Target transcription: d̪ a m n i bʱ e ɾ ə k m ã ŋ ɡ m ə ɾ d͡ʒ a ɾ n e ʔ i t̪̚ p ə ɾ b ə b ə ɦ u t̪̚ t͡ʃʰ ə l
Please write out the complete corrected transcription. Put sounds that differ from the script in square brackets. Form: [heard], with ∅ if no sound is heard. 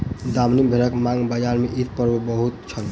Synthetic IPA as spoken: d̪ a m n i bʱ e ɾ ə k m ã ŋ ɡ [b] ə [∅] d͡ʒ a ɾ [m] e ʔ i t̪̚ p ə ɾ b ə b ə ɦ u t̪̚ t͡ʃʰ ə l